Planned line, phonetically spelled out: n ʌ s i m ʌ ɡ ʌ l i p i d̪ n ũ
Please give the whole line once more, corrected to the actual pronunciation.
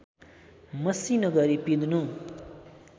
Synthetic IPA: m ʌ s i n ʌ ɡ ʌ ɾ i p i d̪ n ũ